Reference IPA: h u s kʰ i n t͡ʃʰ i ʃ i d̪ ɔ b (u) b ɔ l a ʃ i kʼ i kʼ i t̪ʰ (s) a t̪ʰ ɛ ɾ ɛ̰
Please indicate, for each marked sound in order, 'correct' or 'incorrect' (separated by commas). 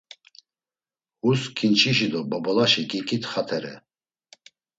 incorrect, incorrect